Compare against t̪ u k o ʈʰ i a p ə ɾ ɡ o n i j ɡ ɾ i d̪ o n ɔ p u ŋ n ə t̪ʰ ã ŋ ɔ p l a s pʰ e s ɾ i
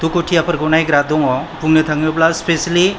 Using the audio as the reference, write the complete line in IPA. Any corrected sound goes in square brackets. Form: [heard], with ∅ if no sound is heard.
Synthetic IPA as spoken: t̪ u k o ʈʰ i a p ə ɾ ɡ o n [a] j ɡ ɾ [a] d̪ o [ŋ] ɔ p u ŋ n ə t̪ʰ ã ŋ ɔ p l a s [p] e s [l] i